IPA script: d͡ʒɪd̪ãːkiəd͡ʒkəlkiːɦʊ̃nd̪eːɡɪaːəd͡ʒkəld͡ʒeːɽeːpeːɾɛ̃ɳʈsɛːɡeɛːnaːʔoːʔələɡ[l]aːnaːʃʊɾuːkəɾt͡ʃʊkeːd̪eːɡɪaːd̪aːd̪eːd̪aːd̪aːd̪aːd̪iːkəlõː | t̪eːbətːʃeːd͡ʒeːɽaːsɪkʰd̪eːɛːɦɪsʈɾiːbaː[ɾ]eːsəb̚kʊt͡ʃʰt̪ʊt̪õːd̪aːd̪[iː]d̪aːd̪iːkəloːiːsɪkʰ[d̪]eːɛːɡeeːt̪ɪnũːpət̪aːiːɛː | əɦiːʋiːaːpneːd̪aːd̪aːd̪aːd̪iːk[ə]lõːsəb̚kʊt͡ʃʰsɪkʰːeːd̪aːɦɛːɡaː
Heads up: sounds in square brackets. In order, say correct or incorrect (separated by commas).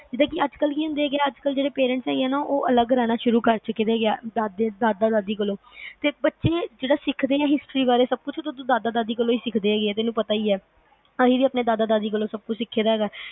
incorrect, correct, incorrect, correct, correct